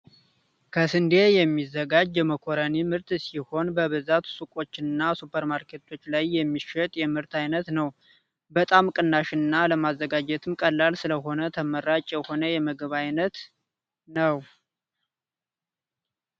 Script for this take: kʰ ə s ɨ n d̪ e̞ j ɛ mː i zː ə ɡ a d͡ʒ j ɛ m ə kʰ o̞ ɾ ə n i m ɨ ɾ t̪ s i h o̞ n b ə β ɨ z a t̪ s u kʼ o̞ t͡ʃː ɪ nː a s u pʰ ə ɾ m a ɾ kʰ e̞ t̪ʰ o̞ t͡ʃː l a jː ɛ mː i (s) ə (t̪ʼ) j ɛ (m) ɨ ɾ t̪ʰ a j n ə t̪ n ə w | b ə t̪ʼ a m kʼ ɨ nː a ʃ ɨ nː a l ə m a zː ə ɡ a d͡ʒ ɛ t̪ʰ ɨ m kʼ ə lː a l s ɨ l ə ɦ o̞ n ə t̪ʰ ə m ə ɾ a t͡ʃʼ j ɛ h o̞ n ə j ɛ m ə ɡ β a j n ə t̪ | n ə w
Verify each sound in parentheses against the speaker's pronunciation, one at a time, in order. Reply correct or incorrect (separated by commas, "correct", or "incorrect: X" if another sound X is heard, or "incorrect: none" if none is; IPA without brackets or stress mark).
incorrect: ʃ, correct, correct